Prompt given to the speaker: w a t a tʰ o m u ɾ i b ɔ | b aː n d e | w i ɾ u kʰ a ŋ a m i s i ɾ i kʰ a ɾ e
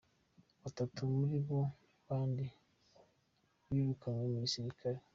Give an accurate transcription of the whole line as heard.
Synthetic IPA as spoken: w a t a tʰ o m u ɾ i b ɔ | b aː n d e | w i ɾ u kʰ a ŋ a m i s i ɾ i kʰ a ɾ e